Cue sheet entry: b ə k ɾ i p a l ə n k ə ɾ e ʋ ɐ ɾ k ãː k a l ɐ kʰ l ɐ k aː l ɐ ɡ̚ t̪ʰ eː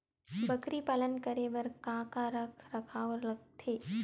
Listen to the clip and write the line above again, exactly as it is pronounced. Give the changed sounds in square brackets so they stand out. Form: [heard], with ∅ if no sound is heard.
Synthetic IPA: b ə k ɾ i p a l ə n k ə ɾ e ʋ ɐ ɾ k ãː k a [ɾ] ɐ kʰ [ɾ] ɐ [kʰ] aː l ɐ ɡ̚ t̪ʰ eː